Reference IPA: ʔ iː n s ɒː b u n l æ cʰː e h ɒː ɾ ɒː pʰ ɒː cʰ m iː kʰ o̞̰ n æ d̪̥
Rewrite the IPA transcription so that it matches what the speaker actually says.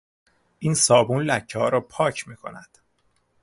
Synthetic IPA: ʔ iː n s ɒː b u n l æ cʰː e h ɒː ɾ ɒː pʰ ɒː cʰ m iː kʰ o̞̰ n æ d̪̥